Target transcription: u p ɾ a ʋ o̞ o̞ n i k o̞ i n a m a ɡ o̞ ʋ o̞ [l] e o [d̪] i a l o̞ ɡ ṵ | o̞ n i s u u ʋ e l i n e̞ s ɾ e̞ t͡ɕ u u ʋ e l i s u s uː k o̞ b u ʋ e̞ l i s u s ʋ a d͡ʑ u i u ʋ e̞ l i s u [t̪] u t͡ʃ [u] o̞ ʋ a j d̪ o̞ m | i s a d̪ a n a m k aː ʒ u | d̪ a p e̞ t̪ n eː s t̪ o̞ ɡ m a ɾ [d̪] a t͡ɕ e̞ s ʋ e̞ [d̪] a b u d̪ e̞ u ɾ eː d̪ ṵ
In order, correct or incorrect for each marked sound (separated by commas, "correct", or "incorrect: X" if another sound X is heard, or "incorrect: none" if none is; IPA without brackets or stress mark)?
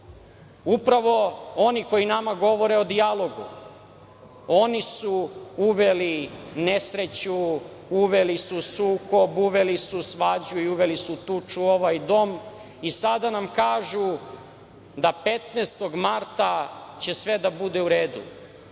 incorrect: ɾ, correct, correct, correct, incorrect: t̪, correct